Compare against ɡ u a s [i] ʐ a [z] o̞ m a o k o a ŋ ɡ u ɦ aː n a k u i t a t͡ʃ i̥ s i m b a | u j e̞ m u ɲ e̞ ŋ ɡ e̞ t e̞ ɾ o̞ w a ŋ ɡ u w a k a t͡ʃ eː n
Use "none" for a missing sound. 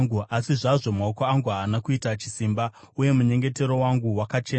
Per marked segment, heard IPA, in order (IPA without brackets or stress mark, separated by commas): i, ʐ